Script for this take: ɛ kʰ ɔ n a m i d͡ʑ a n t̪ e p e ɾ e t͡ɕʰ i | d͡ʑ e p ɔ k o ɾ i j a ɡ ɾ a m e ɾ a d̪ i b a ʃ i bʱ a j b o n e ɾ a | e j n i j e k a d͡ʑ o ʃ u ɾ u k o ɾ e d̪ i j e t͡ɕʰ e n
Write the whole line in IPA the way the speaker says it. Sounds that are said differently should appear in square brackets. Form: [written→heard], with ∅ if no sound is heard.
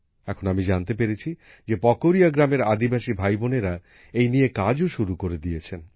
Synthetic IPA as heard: ɛ kʰ [ɔ→o] n a m i d͡ʑ a n t̪ e p e ɾ e t͡ɕʰ i | d͡ʑ e p ɔ k o ɾ i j a ɡ ɾ a m e ɾ a d̪ i b a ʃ i bʱ a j b o n e ɾ a | e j n i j e k a d͡ʑ o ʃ u ɾ u k o ɾ e d̪ i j e t͡ɕʰ e n